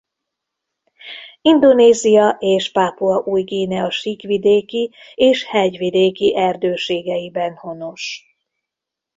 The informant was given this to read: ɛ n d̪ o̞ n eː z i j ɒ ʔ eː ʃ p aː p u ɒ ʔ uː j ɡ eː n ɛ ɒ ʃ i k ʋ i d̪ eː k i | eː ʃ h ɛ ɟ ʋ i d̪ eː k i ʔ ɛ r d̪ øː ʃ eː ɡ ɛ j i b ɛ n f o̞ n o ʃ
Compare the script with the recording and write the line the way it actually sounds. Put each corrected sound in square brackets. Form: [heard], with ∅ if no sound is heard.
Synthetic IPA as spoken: [i] n d̪ o̞ n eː z i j ɒ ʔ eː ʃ p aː p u ɒ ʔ uː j ɡ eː n ɛ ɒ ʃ i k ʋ i d̪ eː k i | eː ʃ h ɛ ɟ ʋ i d̪ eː k i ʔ ɛ r d̪ øː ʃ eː ɡ ɛ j i b ɛ n [h] o̞ n o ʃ